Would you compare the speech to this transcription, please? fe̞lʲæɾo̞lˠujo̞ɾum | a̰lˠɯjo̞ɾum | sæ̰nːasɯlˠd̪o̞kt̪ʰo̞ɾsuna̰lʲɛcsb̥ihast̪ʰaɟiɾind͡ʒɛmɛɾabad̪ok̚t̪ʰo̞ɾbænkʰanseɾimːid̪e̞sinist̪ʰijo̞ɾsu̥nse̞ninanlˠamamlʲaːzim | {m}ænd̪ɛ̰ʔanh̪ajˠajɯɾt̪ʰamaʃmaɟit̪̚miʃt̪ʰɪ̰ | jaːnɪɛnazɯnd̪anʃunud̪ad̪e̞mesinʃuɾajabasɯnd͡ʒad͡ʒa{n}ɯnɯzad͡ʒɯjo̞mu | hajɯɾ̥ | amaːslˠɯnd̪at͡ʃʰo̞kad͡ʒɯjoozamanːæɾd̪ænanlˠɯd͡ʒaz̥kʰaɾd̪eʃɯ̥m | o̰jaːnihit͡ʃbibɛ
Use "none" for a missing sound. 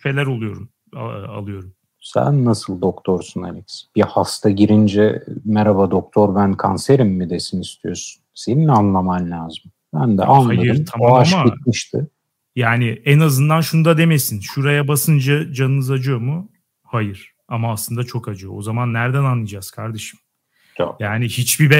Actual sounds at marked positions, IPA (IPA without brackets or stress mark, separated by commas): b, n